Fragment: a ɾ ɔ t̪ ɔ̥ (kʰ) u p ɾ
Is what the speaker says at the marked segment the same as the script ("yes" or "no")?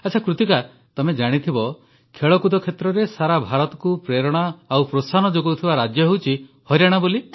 no